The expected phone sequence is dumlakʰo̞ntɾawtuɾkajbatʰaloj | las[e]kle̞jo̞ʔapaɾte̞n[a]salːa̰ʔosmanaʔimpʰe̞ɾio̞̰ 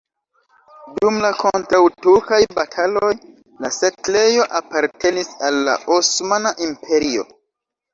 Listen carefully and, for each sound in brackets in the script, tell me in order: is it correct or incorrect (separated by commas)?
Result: correct, incorrect